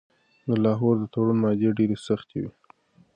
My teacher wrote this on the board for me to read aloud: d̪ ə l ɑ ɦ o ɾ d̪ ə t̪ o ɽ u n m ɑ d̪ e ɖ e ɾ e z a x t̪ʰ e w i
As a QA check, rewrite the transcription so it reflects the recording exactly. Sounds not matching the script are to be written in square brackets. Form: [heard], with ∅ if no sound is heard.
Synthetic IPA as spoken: d̪ ə l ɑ ɦ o ɾ d̪ ə t̪ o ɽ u n m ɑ d̪ e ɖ e ɾ e [s] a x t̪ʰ e w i